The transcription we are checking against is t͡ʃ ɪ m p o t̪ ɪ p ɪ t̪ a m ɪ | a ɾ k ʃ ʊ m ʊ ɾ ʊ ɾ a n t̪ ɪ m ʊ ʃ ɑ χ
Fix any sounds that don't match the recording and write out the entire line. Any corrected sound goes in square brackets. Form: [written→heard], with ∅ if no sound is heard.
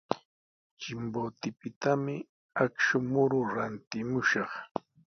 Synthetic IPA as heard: t͡ʃ ɪ m [p→b] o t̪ ɪ p ɪ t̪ a m ɪ | a [ɾ→∅] k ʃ ʊ m ʊ ɾ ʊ ɾ a n t̪ ɪ m ʊ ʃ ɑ χ